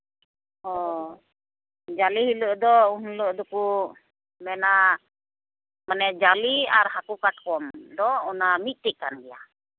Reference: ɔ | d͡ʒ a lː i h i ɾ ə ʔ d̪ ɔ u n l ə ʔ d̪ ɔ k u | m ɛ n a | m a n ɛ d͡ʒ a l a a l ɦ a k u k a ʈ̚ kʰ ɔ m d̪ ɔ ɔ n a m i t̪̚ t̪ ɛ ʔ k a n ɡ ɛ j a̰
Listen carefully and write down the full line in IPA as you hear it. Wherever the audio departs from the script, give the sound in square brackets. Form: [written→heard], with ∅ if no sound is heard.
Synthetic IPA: ɔ | d͡ʒ a [lː→l] i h i [ɾ→l] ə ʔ d̪ ɔ u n l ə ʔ d̪ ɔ k u | m ɛ n a | m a n ɛ d͡ʒ a l [a→i] a [l→ɾ] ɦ a k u k a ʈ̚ [kʰ→k] ɔ m d̪ ɔ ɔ n a m i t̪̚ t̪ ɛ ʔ k a n ɡ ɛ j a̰